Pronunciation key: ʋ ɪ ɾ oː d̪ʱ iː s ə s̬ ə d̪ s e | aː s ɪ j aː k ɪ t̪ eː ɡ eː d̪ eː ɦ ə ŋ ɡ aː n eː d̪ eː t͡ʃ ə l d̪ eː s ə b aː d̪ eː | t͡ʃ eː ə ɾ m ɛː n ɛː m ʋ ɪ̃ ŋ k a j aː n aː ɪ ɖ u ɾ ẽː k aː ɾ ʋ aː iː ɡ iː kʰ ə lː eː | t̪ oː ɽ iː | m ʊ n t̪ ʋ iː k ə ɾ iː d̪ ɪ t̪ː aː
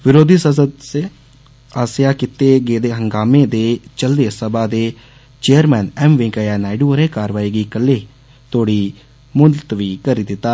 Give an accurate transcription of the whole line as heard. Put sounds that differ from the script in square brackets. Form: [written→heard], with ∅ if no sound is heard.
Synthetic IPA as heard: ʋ ɪ ɾ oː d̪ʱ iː s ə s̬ ə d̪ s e | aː s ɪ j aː k ɪ t̪ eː ɡ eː d̪ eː ɦ ə ŋ ɡ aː [n→m] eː d̪ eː t͡ʃ ə l d̪ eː s ə b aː d̪ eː | t͡ʃ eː ə ɾ m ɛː n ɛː m ʋ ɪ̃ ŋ k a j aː n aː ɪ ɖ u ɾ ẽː k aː ɾ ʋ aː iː ɡ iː [kʰ→k] ə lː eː | t̪ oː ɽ iː | m ʊ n t̪ ʋ iː k ə ɾ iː d̪ ɪ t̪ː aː